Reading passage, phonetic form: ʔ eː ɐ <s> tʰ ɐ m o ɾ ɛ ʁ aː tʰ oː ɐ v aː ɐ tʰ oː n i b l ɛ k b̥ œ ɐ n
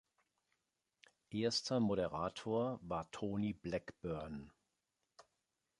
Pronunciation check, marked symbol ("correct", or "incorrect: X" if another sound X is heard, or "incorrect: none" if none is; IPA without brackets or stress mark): correct